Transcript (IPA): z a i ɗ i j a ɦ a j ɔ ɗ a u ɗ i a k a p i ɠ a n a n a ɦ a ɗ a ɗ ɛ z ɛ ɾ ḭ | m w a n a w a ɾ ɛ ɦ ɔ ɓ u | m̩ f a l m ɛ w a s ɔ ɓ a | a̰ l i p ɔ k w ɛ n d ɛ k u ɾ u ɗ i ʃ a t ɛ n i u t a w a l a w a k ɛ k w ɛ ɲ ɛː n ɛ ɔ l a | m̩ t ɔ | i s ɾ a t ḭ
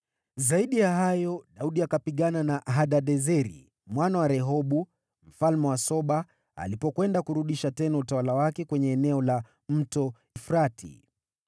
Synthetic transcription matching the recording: z a i ɗ i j a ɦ a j ɔ ɗ a u ɗ i a k a p i ɠ a n a n a ɦ a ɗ a ɗ ɛ z ɛ ɾ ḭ | m w a n a w a ɾ ɛ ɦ ɔ ɓ u | m̩ f a l m ɛ w a s ɔ ɓ a | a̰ l i p ɔ k w ɛ n d a k u ɾ u ɗ i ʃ a t ɛ n a u t a w a l a w a k ɛ k w ɛ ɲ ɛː n ɛ ɔ l a | m̩ t ɔ | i f ɾ a t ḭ

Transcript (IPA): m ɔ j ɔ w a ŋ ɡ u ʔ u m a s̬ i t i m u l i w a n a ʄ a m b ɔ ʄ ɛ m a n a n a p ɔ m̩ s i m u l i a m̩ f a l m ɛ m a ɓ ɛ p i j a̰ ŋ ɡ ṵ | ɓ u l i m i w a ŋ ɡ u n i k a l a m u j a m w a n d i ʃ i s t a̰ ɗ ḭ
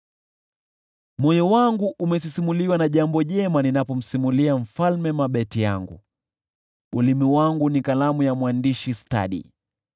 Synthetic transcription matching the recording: m ɔ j ɔ w a ŋ ɡ u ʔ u m ɛ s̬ i s i m u l i w a n a ʄ a m b ɔ ʄ ɛ m a n i n a p ɔ m̩ s i m u l i a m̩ f a l m ɛ m a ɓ ɛ t i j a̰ ŋ ɡ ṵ | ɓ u l i m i w a ŋ ɡ u n i k a l a m u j a m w a n d i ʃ i s t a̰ ɗ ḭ

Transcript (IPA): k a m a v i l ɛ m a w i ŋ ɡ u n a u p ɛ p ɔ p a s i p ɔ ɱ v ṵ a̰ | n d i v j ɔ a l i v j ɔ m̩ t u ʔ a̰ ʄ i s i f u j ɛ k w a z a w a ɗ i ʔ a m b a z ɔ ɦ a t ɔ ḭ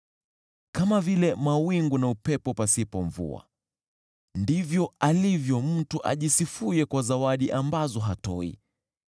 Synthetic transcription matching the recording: k a m a v i l ɛ m a w i ŋ ɡ u n a u p ɛ p ɔ p a s i p ɔ ɱ v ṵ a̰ | n d i v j ɔ a l i v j ɔ m̩ t u ʔ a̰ ʄ i s i f u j ɛ k w a z a w a ɗ i ʔ a m b a z ɔ ɦ a t ɔ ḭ

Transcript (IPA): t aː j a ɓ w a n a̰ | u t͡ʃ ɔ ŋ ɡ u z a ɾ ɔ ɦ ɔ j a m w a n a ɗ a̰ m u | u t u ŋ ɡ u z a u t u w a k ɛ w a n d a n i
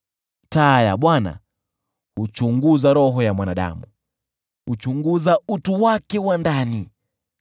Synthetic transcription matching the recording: t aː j a ɓ w a n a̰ | u t͡ʃ u ŋ ɡ u z a ɾ ɔ ɦ ɔ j a m w a n a ɗ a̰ m u | u t͡ʃ u ŋ ɡ u z a u t u w a k ɛ w a n d a n i

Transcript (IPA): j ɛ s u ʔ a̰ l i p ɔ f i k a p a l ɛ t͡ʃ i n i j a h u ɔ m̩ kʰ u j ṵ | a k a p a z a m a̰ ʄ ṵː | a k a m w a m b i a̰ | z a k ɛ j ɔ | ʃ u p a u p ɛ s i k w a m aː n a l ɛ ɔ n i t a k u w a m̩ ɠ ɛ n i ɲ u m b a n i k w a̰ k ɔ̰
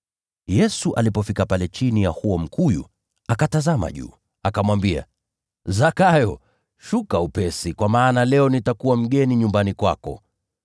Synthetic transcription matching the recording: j ɛ s u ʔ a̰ l i p ɔ f i k a p a l ɛ t͡ʃ i n i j a h u ɔ m̩ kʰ u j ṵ | a k a t a z a m a̰ ʄ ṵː | a k a m w a m b i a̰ | z a k a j ɔ | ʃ u k a u p ɛ s i k w a m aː n a l ɛ ɔ n i t a k u w a m̩ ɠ ɛ n i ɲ u m b a n i k w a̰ k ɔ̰

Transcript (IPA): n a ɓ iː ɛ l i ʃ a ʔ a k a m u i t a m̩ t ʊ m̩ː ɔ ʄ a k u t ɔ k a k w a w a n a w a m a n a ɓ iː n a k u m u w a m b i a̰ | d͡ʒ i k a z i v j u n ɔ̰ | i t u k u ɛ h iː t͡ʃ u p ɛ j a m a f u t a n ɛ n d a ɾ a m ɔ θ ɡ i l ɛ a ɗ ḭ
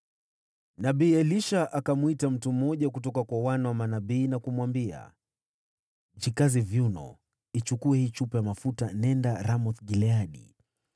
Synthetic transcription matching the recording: n a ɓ iː ɛ l i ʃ a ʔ a k a m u i t a m̩ t u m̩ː ɔ ʄ a k u t ɔ k a k w a w a n a w a m a n a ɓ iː n a k u m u w a m b i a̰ | d͡ʒ i k a z i v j u n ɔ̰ | i t͡ʃ u k u ɛ h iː t͡ʃ u p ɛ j a m a f u t a n ɛ n d a ɾ a m ɔ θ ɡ i l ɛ a ɗ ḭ

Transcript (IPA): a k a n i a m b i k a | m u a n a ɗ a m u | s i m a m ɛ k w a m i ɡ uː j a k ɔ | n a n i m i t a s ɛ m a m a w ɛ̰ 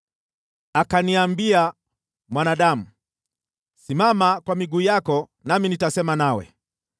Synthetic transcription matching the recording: a k a n i a m b i a | m w a n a ɗ a m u | s i m a m a k w a m i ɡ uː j a k ɔ | n a m i n i t a s ɛ m a n a w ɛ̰

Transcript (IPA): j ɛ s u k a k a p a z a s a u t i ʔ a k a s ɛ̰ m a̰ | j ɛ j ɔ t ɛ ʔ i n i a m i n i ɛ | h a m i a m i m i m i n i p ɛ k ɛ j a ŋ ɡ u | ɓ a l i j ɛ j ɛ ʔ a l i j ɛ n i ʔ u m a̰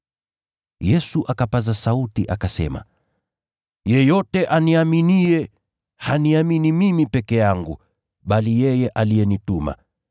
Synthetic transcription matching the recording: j ɛ s u ʔ a k a p a z a s a u t i ʔ a k a s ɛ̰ m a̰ | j ɛ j ɔ t ɛ ʔ a n i a m i n i ɛ | h a n i a m i n i m i m i p ɛ k ɛ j a ŋ ɡ u | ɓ a l i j ɛ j ɛ ʔ a l i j ɛ n i t u m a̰

